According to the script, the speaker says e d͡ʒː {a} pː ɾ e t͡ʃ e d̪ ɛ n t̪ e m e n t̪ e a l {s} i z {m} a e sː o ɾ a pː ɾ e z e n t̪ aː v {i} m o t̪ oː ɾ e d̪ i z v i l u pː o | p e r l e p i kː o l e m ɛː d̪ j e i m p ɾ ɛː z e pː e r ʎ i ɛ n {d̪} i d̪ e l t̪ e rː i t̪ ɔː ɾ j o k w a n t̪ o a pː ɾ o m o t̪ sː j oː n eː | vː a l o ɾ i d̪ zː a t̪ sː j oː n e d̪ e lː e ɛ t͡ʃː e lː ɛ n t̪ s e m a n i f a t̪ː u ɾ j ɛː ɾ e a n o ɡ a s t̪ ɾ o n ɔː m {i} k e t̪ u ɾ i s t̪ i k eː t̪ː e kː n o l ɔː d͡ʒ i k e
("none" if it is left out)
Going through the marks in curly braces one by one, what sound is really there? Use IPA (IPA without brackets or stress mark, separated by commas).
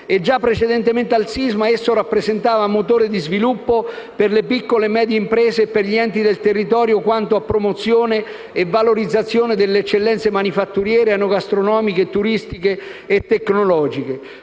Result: a, s, m, a, t̪, i